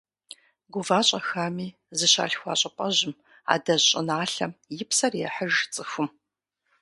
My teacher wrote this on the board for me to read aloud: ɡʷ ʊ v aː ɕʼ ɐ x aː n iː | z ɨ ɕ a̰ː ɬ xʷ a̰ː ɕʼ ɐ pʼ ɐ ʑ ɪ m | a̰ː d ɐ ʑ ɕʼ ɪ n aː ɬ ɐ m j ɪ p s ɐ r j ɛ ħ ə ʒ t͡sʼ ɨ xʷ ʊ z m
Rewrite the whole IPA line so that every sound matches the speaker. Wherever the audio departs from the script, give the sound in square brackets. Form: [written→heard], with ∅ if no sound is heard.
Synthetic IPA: ɡʷ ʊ v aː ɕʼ ɐ x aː [n→m] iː | z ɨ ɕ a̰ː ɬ xʷ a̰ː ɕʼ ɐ pʼ ɐ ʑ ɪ m | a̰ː d ɐ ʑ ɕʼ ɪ n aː ɬ ɐ m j ɪ p s ɐ r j ɛ ħ ə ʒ t͡sʼ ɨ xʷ ʊ [z→∅] m

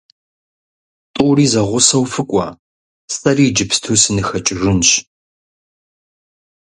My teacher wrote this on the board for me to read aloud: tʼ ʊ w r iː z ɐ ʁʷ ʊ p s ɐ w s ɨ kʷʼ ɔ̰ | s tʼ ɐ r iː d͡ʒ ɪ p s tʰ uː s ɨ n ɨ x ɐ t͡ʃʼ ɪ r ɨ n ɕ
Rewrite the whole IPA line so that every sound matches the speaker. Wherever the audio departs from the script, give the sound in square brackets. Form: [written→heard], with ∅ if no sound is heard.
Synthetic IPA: tʼ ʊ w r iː z ɐ ʁʷ ʊ [p→∅] s ɐ w [s→f] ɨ kʷʼ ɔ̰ | s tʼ ɐ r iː d͡ʒ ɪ p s tʰ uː s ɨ n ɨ x ɐ t͡ʃʼ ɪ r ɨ n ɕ

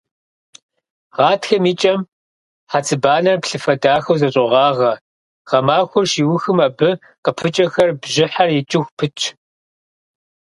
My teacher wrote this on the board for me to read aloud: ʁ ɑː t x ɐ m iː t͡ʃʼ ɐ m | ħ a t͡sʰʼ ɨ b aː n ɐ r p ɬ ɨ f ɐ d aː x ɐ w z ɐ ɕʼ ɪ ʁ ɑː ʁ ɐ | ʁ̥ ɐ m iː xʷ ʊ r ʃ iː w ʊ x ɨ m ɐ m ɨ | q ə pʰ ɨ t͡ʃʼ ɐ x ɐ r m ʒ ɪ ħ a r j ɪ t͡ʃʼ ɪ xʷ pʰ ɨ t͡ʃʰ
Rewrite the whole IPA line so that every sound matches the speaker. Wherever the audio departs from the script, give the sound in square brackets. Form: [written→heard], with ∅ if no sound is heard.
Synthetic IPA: ʁ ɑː t x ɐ m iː t͡ʃʼ ɐ m | ħ a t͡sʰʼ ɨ b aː n ɐ r p ɬ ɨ f ɐ d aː x ɐ w z ɐ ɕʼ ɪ ʁ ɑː ʁ ɐ | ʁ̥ ɐ m [iː→aː] xʷ ʊ r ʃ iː w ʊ x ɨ m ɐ [m→b] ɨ | q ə pʰ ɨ t͡ʃʼ ɐ x ɐ r [m→b] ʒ ɪ ħ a r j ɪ t͡ʃʼ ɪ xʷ pʰ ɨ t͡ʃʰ

